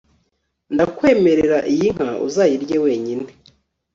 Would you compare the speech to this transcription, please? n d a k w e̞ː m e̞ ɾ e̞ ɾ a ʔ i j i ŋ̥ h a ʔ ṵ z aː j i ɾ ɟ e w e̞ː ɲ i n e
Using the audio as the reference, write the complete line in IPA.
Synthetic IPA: n d a k w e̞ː m e̞ ɾ e̞ ɾ a ʔ i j i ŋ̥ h a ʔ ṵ z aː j i ɾ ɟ e w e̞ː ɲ i n e